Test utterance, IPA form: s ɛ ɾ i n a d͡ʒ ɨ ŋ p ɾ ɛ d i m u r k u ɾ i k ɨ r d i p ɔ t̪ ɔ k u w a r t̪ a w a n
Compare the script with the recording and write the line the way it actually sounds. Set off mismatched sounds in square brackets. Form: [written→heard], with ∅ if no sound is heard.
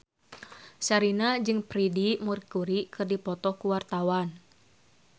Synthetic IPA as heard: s [ɛ→a] ɾ i n a d͡ʒ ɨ ŋ p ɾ [ɛ→i] d i m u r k u ɾ i k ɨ r d i p ɔ t̪ ɔ k u w a r t̪ a w a n